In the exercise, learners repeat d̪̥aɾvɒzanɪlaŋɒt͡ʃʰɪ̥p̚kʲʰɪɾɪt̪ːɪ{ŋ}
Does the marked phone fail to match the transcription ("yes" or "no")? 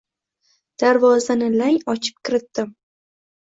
yes